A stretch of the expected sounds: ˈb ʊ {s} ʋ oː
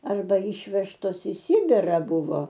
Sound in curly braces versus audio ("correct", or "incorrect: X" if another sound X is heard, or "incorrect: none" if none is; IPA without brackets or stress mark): incorrect: none